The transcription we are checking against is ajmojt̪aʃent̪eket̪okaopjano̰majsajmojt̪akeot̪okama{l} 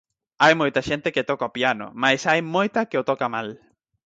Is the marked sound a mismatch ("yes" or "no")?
no